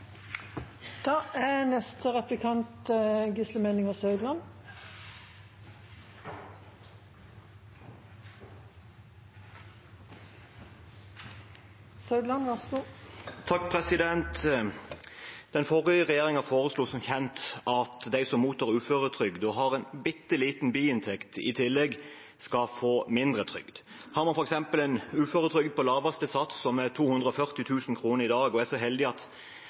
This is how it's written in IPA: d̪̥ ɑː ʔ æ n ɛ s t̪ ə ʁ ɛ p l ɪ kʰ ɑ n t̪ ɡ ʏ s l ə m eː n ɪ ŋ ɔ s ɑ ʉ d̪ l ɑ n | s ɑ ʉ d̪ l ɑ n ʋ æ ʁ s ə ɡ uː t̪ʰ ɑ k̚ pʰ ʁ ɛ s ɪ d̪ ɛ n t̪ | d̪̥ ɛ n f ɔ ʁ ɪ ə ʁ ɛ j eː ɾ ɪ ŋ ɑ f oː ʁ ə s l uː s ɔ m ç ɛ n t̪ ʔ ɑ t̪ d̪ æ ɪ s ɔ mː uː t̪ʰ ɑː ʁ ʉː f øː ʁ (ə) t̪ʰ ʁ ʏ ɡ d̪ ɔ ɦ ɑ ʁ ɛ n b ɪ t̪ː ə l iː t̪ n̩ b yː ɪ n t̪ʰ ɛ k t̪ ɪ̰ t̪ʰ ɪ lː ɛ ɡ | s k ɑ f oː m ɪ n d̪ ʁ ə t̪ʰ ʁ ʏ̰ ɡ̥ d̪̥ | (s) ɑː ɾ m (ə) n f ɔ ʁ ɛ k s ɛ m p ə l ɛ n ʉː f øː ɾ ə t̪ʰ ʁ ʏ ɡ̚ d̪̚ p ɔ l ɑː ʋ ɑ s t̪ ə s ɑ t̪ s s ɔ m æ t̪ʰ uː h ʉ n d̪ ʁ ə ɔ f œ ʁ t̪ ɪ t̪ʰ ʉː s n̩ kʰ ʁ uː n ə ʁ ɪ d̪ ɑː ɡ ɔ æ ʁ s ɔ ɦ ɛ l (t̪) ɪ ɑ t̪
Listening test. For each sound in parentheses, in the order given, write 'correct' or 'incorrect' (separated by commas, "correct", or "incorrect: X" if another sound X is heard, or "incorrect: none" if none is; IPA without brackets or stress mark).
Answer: correct, incorrect: h, incorrect: ɑ, incorrect: d̪